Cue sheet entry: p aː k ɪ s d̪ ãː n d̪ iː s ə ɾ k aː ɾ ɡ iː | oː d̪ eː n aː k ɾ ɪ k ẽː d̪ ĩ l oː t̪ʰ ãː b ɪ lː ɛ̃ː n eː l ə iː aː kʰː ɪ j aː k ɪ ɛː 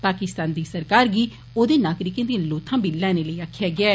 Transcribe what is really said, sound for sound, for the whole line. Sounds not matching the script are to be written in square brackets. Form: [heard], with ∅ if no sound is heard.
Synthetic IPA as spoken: p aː k ɪ s [t̪] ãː n d̪ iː s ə ɾ k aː ɾ ɡ iː | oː d̪ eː n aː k ɾ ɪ k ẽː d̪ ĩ l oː t̪ʰ ãː b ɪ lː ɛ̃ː n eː l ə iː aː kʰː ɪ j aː [ɡ] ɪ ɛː